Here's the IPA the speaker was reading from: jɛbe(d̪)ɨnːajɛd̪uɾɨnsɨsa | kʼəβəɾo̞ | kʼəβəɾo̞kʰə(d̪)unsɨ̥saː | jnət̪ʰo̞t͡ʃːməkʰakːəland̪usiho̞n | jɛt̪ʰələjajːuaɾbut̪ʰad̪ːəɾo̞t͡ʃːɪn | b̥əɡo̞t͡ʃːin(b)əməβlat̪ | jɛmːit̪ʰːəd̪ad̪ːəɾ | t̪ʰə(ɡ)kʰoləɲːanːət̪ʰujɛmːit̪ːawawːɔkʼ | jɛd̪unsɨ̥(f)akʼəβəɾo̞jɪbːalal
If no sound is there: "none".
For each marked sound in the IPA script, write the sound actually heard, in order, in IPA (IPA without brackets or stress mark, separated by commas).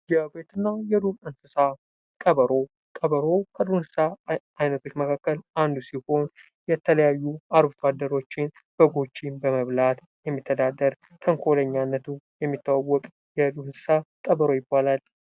t̪, d̪, b, ŋ, s